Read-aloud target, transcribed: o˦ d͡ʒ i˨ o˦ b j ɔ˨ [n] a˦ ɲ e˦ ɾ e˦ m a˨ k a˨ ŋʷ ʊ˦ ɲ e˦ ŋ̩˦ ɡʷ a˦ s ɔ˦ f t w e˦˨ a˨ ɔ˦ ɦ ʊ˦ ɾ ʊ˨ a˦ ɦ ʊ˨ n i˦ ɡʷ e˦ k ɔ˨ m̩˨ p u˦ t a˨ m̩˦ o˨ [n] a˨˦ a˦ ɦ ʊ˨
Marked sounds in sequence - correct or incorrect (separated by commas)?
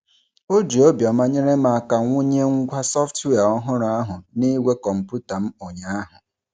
incorrect, incorrect